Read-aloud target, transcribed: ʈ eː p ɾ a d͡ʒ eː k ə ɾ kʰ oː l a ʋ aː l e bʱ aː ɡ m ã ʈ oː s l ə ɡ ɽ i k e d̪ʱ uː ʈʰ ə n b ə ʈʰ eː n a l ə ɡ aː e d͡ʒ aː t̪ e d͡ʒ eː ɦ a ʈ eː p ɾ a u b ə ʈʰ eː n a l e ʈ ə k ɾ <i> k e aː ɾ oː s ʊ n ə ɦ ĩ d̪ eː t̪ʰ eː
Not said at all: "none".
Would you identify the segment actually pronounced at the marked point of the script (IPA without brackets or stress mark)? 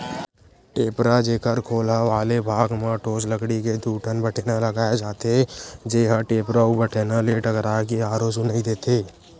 a